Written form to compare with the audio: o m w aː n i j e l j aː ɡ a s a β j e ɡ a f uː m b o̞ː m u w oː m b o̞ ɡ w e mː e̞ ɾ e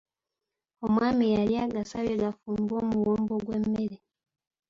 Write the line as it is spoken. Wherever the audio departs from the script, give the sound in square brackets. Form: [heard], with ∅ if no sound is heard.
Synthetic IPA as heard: o m w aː [m] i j [a] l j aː ɡ a s a β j e ɡ a f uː m b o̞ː m u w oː m b o̞ ɡ w e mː e̞ ɾ e

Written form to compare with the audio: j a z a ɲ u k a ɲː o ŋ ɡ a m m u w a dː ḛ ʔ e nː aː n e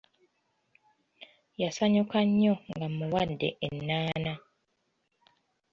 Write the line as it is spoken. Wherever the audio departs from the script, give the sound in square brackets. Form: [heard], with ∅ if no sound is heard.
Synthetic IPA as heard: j a [s] a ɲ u k a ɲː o ŋ ɡ a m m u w a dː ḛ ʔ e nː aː n [a]

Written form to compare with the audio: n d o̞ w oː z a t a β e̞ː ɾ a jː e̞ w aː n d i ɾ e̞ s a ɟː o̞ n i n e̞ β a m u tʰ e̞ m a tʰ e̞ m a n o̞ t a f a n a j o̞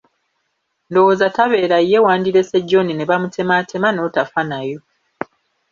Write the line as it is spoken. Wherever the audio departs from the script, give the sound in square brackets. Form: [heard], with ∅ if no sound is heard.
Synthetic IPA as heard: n d o̞ w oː z a t a β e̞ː ɾ a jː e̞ w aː n d i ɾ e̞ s [e] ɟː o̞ n i n e̞ β a m u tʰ e̞ m a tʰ e̞ m a n o̞ t a f a n a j o̞

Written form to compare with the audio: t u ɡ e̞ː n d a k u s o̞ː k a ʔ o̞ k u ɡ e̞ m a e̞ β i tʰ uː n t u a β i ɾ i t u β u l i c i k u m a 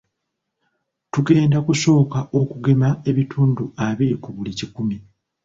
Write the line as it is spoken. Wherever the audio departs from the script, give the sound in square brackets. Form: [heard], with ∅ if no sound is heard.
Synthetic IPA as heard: t u ɡ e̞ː n d a k u s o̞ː k a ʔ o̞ k u ɡ e̞ m a e̞ β i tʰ uː n [d] u a β i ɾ i [k] u β u l i c i k u m [i]

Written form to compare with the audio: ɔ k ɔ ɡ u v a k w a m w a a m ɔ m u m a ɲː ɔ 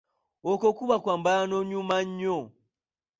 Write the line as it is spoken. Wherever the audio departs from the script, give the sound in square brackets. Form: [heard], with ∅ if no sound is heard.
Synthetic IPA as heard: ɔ k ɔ [k] u [β] a k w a m [b] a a [n] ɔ [ɲ] u m a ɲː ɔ

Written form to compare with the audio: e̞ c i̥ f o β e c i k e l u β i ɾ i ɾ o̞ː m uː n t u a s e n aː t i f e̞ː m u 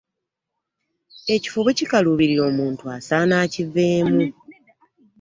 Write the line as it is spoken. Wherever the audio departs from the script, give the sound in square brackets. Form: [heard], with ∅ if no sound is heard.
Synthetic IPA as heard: e̞ c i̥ f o β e c i k [a] l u β i ɾ i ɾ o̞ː m uː n t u a s [a] n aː [c] i [v] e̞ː m u

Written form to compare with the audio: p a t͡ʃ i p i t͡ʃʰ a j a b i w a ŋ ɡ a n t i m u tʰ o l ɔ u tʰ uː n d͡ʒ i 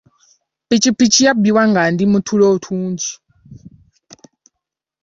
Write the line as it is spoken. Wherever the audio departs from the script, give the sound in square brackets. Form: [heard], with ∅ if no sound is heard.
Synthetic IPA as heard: p [i] t͡ʃ i p i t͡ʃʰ [i] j a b i w a ŋ ɡ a n [d] i m u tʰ [u] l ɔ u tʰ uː n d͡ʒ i

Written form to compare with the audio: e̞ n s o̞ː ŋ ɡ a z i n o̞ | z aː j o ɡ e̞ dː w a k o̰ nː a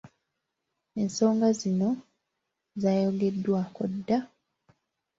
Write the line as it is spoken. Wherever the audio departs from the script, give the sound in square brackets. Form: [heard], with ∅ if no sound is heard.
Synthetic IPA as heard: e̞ n s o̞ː ŋ ɡ a z i n o̞ | z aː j o ɡ e̞ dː w a k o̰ [dː] a

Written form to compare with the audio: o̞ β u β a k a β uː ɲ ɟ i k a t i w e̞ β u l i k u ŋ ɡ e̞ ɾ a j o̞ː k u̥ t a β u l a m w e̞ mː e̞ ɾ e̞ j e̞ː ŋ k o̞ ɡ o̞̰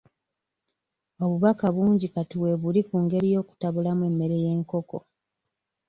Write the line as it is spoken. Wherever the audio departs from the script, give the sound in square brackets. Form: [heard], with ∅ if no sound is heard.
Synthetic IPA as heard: o̞ β u β a k a β uː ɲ ɟ i k a t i w e̞ β u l i k u ŋ ɡ e̞ ɾ [i] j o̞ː k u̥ t a β u l a m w e̞ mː e̞ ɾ e̞ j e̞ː ŋ k o̞ [k] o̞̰

